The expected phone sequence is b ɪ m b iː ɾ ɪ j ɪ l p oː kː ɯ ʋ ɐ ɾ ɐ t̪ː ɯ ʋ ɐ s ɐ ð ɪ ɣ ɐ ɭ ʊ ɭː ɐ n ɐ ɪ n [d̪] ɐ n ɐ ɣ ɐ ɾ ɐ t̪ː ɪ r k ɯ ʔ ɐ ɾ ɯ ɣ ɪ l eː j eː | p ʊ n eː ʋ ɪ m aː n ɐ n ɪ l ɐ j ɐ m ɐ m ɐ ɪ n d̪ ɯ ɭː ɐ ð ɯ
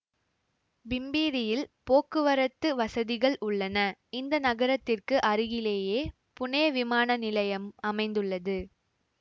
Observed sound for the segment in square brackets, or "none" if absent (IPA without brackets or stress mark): d̪